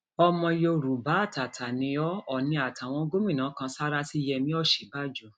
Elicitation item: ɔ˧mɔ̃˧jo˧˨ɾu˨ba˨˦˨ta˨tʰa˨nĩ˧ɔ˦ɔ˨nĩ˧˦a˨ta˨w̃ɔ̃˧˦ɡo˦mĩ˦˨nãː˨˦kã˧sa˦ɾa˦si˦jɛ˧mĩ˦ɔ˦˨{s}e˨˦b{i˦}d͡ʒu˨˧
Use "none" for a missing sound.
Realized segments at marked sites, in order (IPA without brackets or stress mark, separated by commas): ʃ, a˦